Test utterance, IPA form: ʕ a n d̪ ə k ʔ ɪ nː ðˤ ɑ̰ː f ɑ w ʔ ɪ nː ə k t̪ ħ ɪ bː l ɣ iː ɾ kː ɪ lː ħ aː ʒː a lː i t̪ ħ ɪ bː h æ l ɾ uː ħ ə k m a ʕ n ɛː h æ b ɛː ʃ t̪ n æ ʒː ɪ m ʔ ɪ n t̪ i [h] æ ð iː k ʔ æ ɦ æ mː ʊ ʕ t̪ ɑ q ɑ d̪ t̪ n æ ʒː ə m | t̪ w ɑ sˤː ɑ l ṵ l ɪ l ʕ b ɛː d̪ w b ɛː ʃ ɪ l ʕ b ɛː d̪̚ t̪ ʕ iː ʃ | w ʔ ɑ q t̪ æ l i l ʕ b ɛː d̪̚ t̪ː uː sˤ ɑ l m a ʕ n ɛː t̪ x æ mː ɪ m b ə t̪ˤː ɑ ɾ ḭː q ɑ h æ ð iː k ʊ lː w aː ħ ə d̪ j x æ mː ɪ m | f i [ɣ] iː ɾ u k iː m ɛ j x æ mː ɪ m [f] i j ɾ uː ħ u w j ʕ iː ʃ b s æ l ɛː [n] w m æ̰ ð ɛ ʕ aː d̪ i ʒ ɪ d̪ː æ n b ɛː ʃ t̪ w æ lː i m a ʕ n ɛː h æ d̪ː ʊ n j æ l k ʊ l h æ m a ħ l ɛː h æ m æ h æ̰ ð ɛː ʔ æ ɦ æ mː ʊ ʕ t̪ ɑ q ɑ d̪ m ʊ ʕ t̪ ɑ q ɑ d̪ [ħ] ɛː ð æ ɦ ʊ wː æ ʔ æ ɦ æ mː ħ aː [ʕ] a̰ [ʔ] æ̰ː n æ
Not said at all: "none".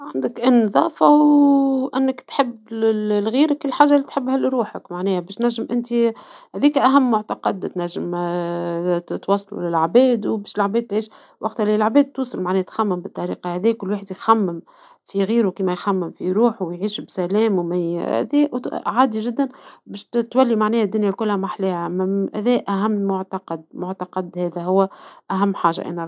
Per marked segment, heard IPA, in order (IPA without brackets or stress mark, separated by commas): h, ɣ, f, m, h, ʒ, ʔ